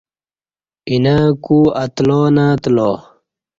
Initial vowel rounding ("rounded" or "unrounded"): unrounded